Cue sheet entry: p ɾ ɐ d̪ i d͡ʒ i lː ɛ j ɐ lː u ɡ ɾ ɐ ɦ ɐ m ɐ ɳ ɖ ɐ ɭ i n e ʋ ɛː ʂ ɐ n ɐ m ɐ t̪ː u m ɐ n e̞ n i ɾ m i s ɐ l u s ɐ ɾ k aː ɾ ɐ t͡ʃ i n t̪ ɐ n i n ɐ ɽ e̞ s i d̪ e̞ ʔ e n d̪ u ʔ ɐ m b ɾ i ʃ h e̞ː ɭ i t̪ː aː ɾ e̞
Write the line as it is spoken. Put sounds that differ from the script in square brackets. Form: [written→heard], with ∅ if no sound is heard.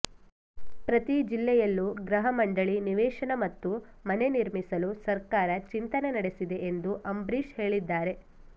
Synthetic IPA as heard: p ɾ ɐ [d̪→t̪] i d͡ʒ i lː ɛ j ɐ lː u ɡ ɾ ɐ ɦ ɐ m ɐ ɳ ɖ ɐ ɭ i n [e→i] ʋ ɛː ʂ ɐ n ɐ m ɐ t̪ː u m ɐ n e̞ n i ɾ m i s ɐ l u s ɐ ɾ k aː ɾ ɐ t͡ʃ i n t̪ ɐ n [i→e] n ɐ ɽ e̞ s i d̪ e̞ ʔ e n d̪ u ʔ ɐ m b ɾ i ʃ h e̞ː ɭ i [t̪ː→d̪ː] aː ɾ e̞